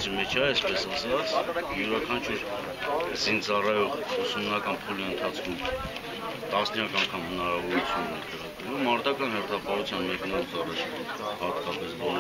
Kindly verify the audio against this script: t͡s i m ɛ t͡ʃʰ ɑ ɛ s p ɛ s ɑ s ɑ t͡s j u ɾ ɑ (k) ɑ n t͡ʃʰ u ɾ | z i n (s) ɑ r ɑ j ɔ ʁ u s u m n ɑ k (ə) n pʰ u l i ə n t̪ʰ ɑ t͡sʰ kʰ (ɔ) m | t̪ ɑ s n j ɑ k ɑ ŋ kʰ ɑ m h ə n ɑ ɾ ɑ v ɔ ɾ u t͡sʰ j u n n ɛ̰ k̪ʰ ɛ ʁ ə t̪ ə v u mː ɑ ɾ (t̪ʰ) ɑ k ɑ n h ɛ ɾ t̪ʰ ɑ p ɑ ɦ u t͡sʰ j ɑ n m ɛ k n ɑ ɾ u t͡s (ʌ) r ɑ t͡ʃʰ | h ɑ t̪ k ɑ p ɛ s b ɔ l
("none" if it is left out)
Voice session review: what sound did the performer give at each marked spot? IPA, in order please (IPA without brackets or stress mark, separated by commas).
kʰ, t͡s, ɑ, u, t̪, ɑ